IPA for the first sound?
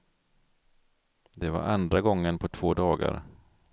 d̪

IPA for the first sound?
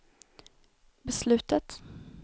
b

